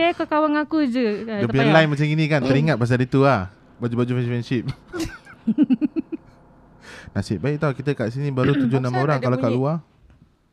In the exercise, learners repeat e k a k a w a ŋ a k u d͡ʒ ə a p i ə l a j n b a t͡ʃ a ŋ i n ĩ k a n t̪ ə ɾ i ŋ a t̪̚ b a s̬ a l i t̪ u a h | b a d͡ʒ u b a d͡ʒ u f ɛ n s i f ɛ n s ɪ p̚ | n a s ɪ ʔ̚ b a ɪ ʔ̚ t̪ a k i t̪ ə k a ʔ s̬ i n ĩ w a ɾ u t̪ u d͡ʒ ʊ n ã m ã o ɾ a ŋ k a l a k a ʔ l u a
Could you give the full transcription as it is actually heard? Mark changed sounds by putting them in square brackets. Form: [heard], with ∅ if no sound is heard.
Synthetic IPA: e k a k a w a ŋ a k u d͡ʒ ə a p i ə l a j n [m] a t͡ʃ a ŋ i n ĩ k a n t̪ ə ɾ i ŋ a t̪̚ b a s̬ a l i t̪ u a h | b a d͡ʒ u b a d͡ʒ u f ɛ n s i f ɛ n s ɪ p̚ | n a s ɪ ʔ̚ b a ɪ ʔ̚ t̪ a k i t̪ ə k a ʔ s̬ i n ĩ [b] a ɾ u t̪ u d͡ʒ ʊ n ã m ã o ɾ a ŋ k a l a k a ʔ l u a